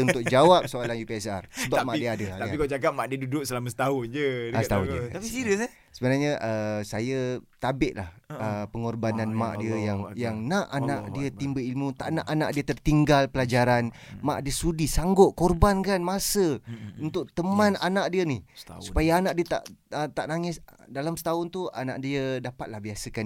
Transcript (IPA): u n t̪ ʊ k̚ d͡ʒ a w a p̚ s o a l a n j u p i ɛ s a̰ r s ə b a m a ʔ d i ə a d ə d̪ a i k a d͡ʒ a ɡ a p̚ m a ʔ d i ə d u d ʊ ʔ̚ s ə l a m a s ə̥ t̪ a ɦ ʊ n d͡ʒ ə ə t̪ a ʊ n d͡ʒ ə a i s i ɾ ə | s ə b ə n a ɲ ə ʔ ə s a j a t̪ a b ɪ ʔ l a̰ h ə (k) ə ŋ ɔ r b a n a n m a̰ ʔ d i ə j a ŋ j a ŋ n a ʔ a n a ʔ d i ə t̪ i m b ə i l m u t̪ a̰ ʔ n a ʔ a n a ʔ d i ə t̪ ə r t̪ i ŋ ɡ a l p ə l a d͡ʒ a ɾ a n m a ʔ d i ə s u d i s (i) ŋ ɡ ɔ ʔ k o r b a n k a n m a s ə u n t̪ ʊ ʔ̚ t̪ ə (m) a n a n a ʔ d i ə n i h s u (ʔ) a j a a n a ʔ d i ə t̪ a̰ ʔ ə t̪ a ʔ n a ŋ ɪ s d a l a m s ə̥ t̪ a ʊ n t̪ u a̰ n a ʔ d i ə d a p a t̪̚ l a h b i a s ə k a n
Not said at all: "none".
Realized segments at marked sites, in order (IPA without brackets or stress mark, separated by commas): p, a, m, p